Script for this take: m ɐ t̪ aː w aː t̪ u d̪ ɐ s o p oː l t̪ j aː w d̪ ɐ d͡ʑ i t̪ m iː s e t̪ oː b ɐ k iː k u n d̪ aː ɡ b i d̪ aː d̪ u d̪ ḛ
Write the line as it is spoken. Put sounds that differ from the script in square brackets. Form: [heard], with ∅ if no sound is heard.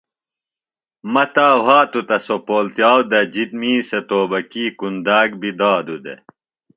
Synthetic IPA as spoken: m ɐ t̪ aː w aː t̪ u [t̪] ɐ s o p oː l t̪ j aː w d̪ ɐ d͡ʑ i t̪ m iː s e t̪ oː b ɐ k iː k u n d̪ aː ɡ b i d̪ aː d̪ u d̪ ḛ